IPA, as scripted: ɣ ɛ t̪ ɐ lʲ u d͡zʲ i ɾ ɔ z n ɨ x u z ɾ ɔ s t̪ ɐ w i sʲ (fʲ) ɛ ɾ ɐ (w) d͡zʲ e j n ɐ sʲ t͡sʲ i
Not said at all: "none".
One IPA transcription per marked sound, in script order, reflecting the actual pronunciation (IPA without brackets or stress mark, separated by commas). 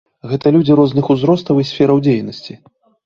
fʲ, w